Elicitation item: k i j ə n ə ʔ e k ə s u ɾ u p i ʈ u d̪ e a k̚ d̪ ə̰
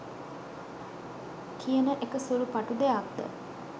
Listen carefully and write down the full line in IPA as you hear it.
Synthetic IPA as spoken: k i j ə n ə ʔ e k ə s u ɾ u p a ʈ u d̪ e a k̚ d̪ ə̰